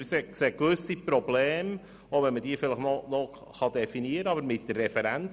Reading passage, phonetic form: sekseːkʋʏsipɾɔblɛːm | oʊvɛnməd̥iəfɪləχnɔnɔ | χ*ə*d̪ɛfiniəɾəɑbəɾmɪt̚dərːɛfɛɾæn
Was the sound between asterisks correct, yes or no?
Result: no